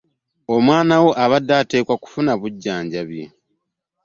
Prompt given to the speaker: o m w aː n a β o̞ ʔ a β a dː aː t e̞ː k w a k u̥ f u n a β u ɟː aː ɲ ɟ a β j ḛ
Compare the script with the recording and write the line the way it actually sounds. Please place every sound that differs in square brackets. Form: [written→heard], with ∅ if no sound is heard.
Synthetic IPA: o m w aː n a [β→w] o̞ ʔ a β a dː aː t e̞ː k w a k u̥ f u n a β u ɟː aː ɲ ɟ a β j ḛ